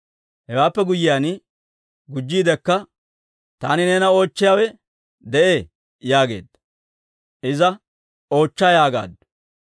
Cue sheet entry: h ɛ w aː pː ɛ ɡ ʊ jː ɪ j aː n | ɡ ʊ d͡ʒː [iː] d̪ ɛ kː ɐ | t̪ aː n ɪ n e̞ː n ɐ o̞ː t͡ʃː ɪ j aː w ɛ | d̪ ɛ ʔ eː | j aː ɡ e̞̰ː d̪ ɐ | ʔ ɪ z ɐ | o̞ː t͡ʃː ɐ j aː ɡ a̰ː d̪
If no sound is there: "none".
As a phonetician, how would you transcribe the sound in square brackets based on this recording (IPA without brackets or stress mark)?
iː